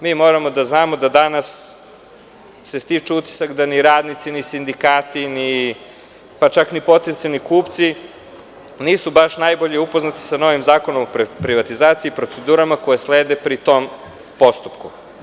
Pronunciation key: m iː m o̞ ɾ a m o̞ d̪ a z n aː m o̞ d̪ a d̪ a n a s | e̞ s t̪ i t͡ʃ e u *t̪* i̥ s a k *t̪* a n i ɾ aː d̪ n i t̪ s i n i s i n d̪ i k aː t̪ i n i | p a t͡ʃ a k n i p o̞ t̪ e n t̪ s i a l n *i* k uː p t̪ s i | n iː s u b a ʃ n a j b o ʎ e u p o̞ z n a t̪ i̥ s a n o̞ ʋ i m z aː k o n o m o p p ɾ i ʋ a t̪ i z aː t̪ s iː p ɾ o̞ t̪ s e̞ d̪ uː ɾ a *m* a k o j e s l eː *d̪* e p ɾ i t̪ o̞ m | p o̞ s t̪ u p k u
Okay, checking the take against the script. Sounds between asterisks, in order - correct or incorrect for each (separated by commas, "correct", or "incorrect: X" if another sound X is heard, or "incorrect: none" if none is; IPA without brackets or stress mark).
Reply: correct, incorrect: d̪, correct, correct, correct